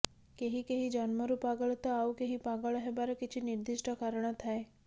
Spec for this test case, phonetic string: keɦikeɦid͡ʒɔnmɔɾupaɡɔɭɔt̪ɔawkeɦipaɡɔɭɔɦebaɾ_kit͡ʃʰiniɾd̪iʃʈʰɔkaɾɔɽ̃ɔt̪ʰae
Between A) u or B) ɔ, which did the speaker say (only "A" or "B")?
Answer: B